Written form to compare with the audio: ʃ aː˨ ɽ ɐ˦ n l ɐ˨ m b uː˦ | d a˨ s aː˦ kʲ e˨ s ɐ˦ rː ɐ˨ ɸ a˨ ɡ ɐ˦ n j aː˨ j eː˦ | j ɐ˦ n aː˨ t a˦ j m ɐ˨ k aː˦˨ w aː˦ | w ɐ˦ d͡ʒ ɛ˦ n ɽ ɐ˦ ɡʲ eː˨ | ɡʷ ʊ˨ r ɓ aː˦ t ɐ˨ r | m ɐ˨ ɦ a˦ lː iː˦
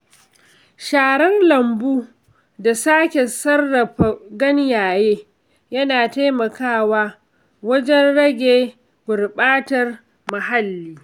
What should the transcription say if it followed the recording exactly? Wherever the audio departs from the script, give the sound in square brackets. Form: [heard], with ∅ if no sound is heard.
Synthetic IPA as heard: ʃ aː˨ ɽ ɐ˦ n l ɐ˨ m b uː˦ | d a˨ s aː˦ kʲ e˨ s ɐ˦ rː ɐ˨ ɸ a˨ ɡ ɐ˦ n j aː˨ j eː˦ | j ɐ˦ n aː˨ t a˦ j m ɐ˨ k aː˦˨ w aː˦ | w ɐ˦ d͡ʒ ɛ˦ n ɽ ɐ˦ ɡʲ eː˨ | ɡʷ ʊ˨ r ɓ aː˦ t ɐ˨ r | m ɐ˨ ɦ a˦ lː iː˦